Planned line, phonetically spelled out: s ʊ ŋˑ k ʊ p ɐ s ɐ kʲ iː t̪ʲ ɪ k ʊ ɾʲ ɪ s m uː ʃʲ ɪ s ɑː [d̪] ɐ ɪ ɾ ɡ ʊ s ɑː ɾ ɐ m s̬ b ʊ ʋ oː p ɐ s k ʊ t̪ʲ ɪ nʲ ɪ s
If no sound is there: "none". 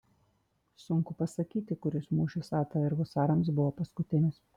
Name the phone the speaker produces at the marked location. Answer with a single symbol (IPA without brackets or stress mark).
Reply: t̪